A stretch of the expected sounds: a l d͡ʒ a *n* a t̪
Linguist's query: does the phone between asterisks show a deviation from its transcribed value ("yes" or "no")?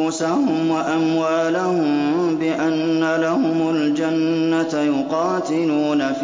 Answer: yes